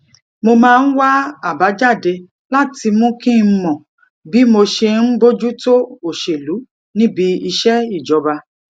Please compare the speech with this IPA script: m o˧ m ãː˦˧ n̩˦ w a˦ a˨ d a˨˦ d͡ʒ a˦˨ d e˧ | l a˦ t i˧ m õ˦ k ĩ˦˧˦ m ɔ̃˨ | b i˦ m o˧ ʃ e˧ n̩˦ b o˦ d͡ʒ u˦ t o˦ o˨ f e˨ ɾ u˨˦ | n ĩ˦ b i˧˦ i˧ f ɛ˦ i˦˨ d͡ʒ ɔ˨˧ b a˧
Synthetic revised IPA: m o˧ m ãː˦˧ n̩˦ w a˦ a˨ b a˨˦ d͡ʒ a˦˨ d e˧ | l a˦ t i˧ m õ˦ k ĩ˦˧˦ m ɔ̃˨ | b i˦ m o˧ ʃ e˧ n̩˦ b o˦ d͡ʒ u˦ t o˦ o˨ ʃ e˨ l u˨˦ | n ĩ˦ b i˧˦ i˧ ʃ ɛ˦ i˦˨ d͡ʒ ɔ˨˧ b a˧